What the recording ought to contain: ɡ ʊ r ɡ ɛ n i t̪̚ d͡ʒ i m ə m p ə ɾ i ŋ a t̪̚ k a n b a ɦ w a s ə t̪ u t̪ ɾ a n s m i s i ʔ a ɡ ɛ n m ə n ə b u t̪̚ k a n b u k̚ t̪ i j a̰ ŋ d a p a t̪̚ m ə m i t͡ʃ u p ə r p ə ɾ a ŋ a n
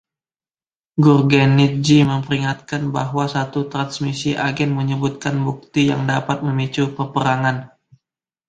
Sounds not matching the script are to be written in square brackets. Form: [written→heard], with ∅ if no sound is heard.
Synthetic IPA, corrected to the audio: ɡ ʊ r ɡ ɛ n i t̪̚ d͡ʒ i m ə m p ə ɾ i ŋ a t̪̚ k a n b a ɦ w a s [ə→a] t̪ u t̪ ɾ a n s m i s i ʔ a ɡ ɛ n m ə [n→ɲ] ə b u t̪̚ k a n b u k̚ t̪ i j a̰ ŋ d a p a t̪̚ m ə m i t͡ʃ u p ə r p ə ɾ a ŋ a n